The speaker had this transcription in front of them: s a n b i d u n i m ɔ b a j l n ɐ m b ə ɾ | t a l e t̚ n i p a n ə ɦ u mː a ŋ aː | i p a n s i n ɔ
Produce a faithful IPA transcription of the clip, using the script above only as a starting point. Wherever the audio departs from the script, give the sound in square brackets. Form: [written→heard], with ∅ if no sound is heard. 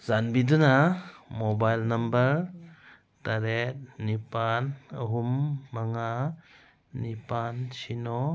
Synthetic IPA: [s→z] a n b i d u n [i→a] m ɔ b a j l n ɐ m b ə ɾ | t a [l→ɾ] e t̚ n i p a n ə ɦ u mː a ŋ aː | i p a n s i n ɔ